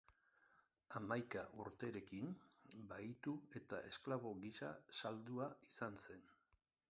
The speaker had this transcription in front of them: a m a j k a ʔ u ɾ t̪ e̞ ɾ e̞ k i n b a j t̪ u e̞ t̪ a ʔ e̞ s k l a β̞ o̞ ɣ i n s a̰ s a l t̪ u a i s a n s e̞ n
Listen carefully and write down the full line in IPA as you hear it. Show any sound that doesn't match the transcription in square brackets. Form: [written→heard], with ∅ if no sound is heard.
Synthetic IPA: a m a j k a ʔ u ɾ t̪ e̞ ɾ e̞ k i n b a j t̪ u e̞ t̪ a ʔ e̞ s k l a β̞ o̞ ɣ i [n→∅] s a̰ s a l [t̪→d̪] u a i s a n s e̞ n